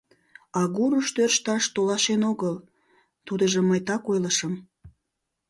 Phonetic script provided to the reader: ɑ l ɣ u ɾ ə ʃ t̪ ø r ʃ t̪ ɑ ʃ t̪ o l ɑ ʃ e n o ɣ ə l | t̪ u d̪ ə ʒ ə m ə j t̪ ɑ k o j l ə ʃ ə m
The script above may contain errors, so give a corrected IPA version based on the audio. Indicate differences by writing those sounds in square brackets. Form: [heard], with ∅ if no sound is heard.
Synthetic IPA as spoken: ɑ [∅] ɣ u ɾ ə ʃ t̪ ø r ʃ t̪ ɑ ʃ t̪ o l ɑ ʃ e n o ɣ ə l | t̪ u d̪ ə ʒ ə m ə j t̪ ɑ k o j l ə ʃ ə m